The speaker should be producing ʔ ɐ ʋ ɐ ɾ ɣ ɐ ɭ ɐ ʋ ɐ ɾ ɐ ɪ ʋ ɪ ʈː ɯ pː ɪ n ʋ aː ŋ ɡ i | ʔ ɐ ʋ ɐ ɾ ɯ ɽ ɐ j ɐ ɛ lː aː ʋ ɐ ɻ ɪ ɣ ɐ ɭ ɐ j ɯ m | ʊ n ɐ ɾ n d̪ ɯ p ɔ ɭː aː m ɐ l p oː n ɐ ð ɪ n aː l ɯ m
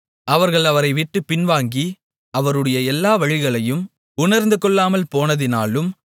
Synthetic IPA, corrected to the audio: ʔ ɐ ʋ ɐ ɾ ɣ ɐ ɭ ɐ ʋ ɐ ɾ ɐ ɪ ʋ ɪ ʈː ɯ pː ɪ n ʋ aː ŋ ɡ i | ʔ ɐ ʋ ɐ ɾ ɯ ɽ ɐ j ɐ ɛ lː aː ʋ ɐ ɻ ɪ ɣ ɐ ɭ ɐ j ɯ m | ʊ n ɐ ɾ n d̪ ɯ k ɔ ɭː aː m ɐ l p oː n ɐ ð ɪ n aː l ɯ m